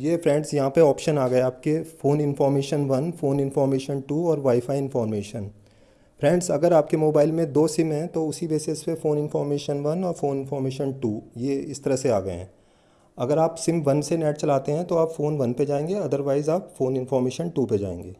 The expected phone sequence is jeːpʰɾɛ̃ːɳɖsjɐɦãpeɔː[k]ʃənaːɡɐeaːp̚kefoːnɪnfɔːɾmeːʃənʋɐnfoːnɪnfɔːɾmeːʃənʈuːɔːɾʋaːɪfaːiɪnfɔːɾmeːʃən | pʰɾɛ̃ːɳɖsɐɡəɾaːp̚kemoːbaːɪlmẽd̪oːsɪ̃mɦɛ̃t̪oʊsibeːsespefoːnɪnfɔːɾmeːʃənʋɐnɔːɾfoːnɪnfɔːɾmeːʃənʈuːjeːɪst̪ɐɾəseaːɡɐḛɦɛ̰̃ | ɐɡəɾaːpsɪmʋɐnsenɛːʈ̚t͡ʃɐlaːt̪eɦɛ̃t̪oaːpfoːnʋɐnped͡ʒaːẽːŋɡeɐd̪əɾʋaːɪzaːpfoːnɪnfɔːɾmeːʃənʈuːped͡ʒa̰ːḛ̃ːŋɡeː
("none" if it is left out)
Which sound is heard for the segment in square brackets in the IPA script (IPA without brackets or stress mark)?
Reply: p